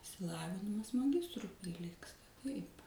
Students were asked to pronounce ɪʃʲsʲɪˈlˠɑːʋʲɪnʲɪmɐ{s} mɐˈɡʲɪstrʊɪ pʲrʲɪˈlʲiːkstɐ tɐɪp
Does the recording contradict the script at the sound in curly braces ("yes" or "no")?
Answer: no